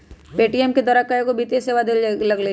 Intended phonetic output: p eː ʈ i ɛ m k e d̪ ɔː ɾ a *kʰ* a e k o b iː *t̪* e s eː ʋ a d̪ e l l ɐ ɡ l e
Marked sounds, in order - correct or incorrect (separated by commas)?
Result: incorrect, correct